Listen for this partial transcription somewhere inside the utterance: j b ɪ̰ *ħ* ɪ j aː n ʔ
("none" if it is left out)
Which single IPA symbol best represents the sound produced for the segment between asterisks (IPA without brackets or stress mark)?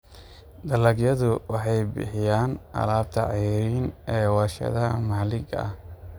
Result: ħ